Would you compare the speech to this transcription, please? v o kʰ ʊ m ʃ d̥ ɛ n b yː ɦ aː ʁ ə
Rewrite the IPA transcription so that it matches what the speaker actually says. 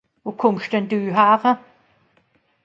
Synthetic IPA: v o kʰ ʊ m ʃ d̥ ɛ n d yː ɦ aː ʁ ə